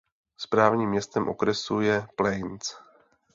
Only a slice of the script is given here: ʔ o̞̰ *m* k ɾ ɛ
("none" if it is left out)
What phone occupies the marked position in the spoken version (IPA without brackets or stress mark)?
none